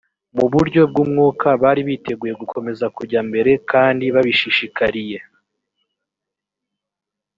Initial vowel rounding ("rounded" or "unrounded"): rounded